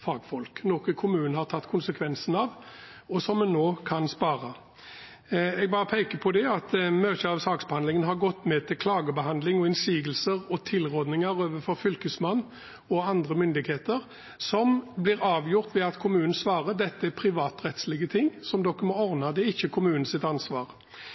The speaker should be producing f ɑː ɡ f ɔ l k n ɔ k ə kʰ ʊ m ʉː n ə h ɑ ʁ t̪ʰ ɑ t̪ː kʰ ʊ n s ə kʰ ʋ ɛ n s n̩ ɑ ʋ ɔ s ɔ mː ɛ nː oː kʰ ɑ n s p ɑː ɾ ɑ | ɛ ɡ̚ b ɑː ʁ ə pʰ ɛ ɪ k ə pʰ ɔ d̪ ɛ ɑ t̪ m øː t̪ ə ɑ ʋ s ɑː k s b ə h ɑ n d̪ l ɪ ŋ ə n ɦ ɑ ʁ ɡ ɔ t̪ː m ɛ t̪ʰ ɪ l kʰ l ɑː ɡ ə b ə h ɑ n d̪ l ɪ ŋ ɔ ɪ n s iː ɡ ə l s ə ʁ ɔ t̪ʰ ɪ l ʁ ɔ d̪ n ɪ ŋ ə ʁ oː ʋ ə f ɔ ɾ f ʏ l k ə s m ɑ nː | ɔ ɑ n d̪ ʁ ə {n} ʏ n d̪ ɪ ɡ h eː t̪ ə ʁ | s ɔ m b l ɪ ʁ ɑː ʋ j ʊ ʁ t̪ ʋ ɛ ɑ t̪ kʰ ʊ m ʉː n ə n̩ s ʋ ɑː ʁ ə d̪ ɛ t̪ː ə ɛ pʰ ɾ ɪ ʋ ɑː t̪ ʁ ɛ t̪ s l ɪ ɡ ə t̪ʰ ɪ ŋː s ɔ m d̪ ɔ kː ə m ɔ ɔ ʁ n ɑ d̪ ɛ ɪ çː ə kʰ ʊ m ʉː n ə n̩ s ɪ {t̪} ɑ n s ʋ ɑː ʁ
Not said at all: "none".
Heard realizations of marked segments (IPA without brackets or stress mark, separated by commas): m, t̪